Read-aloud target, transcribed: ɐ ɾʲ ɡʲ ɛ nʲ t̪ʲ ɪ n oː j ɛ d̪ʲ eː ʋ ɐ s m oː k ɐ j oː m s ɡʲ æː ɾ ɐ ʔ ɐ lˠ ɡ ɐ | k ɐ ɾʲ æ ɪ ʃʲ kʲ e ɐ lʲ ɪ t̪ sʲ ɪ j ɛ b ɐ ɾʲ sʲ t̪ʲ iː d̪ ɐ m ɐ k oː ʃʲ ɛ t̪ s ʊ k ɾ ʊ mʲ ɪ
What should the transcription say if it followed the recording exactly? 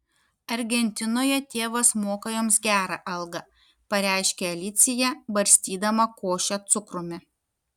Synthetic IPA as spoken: ɐ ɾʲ ɡʲ ɛ nʲ t̪ʲ ɪ n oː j ɛ t̪ʲ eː ʋ ɐ s m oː k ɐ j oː m s ɡʲ æː ɾ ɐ ʔ ɐ lˠ ɡ ɐ | p ɐ ɾʲ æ ɪ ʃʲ kʲ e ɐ lʲ ɪ t̪ sʲ ɪ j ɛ b ɐ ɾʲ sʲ t̪ʲ iː d̪ ɐ m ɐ k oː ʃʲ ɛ t̪ s ʊ k ɾ ʊ mʲ ɪ